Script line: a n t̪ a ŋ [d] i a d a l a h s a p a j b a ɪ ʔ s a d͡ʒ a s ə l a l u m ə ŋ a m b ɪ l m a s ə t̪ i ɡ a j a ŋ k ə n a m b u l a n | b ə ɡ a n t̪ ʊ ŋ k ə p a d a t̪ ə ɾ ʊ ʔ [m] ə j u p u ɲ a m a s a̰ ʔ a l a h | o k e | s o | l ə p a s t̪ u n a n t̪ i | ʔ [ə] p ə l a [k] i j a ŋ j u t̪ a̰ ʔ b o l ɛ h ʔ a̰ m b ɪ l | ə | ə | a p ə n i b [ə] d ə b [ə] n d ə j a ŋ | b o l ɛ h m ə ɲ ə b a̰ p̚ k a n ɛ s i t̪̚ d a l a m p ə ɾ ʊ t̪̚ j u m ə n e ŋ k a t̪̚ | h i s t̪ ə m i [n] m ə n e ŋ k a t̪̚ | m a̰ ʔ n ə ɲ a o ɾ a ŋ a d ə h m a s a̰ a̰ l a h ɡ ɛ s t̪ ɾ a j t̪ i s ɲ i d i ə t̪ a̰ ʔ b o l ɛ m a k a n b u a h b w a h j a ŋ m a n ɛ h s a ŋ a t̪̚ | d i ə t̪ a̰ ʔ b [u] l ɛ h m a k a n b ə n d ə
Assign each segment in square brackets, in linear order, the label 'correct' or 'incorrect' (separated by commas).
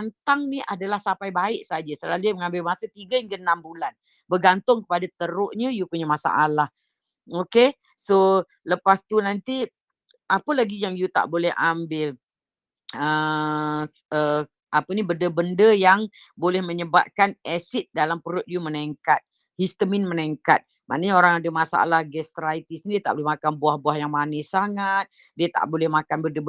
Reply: incorrect, incorrect, incorrect, incorrect, correct, correct, correct, incorrect